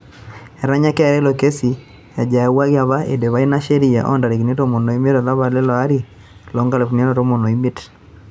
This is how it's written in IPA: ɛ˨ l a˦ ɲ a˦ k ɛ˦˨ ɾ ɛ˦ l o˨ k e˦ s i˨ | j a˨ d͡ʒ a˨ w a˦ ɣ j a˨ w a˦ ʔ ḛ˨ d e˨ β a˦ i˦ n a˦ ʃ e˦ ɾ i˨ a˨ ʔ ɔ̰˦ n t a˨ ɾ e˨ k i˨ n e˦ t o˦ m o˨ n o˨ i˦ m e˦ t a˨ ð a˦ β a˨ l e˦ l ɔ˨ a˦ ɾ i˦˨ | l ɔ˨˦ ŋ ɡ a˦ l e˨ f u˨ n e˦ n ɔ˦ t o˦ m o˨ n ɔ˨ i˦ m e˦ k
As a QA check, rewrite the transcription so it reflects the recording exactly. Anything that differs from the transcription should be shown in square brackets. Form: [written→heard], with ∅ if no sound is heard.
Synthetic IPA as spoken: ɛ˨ [l→ɾ] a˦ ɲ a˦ k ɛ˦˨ ɾ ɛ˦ l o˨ k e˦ s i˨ | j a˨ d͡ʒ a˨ w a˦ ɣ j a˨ [w→β] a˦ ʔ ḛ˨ d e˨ β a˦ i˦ n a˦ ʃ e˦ ɾ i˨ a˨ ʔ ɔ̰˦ n [t→d] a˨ ɾ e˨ k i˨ n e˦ t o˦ m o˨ n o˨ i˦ m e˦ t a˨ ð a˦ β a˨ l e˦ l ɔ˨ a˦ ɾ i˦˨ | l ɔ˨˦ ŋ ɡ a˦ l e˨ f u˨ n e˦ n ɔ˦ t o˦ m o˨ n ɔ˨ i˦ m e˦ [k→t]